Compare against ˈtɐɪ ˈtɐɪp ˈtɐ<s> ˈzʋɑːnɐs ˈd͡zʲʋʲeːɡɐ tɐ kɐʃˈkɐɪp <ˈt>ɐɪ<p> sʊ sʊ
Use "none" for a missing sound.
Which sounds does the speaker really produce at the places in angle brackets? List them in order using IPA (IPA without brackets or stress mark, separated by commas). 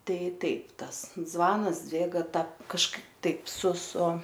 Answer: s, t, p